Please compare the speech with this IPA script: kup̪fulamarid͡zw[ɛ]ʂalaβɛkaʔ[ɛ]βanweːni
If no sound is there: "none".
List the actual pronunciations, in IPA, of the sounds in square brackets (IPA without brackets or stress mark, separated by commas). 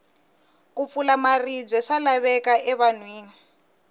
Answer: ɛ, ɛ